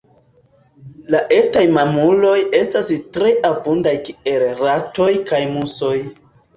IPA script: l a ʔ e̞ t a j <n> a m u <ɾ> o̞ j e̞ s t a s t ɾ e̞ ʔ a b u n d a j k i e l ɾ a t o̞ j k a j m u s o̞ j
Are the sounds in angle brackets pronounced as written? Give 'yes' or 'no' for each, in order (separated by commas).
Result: no, no